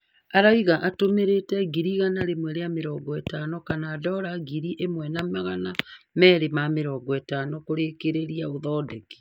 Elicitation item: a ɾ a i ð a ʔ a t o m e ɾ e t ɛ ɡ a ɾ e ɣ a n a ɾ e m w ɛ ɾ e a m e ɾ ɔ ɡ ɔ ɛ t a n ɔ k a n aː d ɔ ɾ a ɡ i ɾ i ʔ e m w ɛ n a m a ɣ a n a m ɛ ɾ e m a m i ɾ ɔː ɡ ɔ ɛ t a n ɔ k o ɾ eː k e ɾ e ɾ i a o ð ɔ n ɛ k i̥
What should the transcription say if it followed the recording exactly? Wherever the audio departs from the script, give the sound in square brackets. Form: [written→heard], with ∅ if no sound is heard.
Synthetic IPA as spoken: a ɾ a i [ð→ɣ] a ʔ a t o m e ɾ e t ɛ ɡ [a→i] ɾ [e→i] ɣ a n a ɾ e m w ɛ ɾ e a m e ɾ ɔ ɡ ɔ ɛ t a n ɔ k a n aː d ɔ ɾ a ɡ i ɾ i ʔ e m w ɛ n a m a ɣ a n a m ɛ ɾ e m a m [i→e] ɾ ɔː ɡ ɔ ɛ t a n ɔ k o ɾ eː k e ɾ e ɾ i a o ð ɔ [n→d] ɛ k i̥